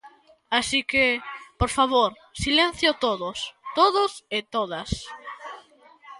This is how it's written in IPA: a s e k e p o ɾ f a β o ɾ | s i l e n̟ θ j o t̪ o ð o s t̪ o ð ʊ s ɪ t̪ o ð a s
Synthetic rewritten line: a s i k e p o ɾ f a β o ɾ | s i l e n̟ θ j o t̪ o ð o s t̪ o ð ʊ s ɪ t̪ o ð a s